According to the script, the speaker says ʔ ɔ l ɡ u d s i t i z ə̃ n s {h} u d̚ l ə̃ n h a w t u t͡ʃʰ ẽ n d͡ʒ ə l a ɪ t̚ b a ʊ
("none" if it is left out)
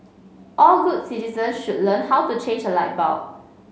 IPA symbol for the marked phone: ʃ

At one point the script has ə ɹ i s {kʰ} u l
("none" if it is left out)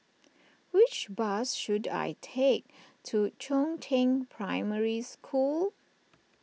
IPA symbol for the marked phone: kʰ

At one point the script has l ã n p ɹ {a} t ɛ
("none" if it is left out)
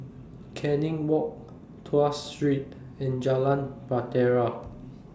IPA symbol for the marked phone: a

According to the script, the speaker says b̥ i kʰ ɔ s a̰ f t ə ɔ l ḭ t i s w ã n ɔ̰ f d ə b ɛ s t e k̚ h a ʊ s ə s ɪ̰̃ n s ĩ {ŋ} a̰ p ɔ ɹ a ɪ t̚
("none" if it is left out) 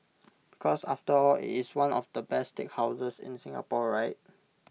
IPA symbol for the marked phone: ŋ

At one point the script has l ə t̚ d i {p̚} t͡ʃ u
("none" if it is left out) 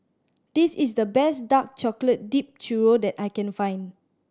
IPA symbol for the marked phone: p̚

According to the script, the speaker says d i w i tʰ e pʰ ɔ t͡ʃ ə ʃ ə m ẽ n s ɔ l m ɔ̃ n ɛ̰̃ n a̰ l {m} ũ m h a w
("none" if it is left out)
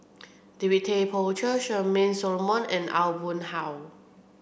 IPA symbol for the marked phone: b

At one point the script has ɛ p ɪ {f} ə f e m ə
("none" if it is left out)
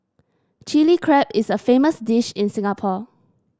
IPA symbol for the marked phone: s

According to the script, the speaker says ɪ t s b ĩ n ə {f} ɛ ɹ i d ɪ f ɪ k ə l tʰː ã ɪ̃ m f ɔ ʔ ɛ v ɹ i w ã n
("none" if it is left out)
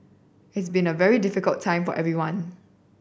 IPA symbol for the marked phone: v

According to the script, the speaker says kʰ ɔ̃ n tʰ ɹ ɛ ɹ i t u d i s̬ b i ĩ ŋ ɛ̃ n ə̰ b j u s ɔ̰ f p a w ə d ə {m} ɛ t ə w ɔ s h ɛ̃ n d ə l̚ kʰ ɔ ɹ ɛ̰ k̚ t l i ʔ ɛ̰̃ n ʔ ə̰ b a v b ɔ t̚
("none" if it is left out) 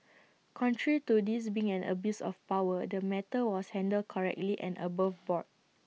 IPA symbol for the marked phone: m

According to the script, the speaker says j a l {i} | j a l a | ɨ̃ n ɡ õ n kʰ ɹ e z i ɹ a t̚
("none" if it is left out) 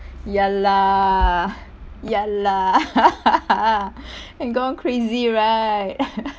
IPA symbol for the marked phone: a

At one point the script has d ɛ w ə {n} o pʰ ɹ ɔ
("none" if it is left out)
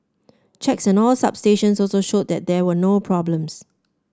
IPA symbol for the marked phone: n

